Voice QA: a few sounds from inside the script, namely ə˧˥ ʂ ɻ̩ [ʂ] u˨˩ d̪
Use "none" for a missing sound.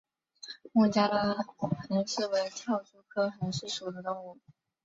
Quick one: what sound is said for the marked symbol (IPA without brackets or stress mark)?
ʂ